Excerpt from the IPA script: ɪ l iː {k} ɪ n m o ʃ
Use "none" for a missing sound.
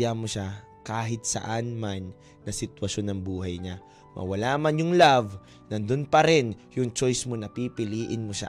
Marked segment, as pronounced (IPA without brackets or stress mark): ʔ